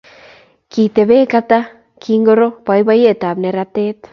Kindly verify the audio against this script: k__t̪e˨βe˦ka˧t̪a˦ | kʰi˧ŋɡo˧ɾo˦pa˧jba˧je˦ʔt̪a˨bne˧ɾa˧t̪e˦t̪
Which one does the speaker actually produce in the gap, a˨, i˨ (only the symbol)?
i˨